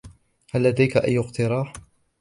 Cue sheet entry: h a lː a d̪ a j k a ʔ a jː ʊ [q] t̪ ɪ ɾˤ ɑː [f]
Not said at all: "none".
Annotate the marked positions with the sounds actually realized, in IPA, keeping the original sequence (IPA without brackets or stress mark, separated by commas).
q, ħ